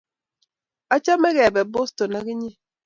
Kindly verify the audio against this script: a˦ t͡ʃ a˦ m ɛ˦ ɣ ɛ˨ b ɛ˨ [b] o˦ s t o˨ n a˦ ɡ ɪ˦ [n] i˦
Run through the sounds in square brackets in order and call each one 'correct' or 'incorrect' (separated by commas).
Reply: correct, incorrect